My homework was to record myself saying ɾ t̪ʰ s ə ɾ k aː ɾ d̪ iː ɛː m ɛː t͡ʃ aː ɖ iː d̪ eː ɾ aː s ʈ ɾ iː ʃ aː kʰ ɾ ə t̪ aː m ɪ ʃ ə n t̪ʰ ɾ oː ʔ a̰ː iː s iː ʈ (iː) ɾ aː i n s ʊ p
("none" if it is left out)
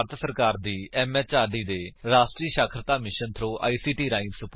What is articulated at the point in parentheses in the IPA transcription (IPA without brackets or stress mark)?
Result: iː